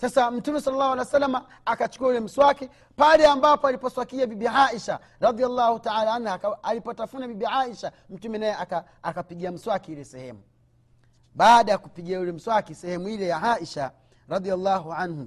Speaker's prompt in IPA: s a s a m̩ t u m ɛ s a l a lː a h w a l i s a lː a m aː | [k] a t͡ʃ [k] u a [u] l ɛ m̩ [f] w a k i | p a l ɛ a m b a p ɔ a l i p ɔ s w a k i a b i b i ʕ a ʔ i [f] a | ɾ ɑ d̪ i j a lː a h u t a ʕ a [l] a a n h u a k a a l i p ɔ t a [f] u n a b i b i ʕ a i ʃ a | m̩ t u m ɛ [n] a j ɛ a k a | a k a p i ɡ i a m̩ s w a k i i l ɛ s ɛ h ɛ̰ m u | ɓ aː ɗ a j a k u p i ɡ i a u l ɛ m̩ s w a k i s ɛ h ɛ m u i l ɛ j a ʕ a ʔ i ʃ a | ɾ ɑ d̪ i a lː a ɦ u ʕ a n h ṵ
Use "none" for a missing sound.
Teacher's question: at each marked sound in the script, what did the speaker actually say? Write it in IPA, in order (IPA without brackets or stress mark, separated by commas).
k, k, u, s, ʃ, l, f, n